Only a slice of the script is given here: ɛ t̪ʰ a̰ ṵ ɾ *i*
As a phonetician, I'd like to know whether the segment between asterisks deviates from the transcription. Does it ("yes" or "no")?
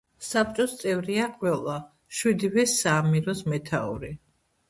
no